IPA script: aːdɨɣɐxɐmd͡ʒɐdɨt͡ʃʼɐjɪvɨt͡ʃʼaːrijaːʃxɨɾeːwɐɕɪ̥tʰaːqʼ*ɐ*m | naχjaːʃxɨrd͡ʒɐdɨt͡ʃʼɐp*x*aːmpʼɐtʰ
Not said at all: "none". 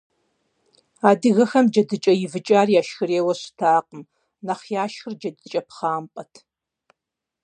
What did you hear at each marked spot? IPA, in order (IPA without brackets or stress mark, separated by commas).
ə, χ